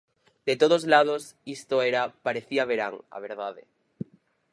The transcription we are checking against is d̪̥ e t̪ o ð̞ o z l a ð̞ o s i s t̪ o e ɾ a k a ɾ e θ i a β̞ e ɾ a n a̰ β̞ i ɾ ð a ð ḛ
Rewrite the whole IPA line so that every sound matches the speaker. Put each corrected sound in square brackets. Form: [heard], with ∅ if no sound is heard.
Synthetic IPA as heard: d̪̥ e t̪ o ð̞ o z l a ð̞ o s i s t̪ o e ɾ a [p] a ɾ e θ i a β̞ e ɾ a [ŋ] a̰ β̞ [e] ɾ ð a ð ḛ